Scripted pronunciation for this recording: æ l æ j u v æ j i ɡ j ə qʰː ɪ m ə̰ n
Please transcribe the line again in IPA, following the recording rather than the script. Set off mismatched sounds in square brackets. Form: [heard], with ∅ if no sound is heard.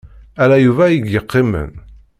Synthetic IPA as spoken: æ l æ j u v æ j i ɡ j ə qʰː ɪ m ə̰ n